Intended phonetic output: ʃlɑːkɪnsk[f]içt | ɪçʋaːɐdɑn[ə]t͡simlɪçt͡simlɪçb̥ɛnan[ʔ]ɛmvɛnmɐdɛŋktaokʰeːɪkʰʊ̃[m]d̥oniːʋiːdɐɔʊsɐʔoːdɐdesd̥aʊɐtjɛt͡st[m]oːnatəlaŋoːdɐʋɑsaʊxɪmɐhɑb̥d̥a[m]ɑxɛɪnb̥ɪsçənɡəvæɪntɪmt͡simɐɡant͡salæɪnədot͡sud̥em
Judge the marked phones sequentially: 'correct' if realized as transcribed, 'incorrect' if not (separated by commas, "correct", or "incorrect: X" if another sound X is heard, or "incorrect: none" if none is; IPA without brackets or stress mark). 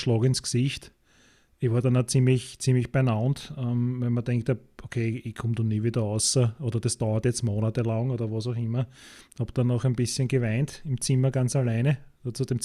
incorrect: s, incorrect: a, incorrect: t, correct, correct, incorrect: n